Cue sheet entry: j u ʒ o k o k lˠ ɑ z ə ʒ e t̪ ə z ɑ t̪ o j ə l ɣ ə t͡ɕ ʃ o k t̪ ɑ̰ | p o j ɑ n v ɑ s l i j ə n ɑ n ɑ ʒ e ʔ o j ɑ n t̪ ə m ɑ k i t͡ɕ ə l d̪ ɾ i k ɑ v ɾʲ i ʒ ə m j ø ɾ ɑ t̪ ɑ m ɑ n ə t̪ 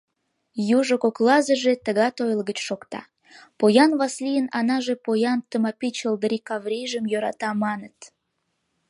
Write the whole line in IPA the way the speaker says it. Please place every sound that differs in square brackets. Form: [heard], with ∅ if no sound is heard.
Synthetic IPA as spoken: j u ʒ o k o k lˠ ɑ z ə ʒ e t̪ ə [ɣ] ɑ t̪ o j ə l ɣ ə t͡ɕ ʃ o k t̪ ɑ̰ | p o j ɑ n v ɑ s l i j ə n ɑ n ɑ ʒ e [p] o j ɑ n t̪ ə m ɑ [p] i t͡ɕ ə l d̪ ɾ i k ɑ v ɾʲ i ʒ ə m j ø ɾ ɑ t̪ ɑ m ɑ n ə t̪